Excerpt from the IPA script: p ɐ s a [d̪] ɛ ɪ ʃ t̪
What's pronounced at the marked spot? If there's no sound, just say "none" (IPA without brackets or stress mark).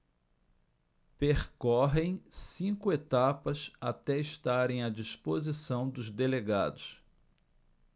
t̪